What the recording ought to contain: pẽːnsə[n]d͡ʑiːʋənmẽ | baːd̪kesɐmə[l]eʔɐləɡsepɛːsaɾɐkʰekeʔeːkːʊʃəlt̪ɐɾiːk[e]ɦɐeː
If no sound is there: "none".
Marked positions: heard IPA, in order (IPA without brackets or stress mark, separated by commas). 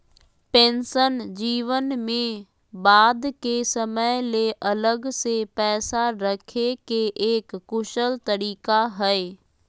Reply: n, l, a